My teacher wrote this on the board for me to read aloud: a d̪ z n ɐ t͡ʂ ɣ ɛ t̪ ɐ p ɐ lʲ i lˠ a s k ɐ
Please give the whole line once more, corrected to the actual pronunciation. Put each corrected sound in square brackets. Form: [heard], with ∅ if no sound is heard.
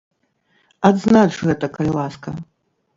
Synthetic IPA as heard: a d̪ z n [a] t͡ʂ ɣ ɛ t̪ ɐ [k] ɐ lʲ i lˠ a s k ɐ